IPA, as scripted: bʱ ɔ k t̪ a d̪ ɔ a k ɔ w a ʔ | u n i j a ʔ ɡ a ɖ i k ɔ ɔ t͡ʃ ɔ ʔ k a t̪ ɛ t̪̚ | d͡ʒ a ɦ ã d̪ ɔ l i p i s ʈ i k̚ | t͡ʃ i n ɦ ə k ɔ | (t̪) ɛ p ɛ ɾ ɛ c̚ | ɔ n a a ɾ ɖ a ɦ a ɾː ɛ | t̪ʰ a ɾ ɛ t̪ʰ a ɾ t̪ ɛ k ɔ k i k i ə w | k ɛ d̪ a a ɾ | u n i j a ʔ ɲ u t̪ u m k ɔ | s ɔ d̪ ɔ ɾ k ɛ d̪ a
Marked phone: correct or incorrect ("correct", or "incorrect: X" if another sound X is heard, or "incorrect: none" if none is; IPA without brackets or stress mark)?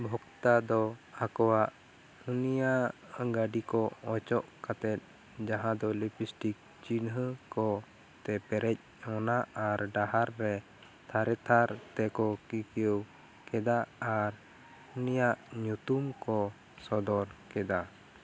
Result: correct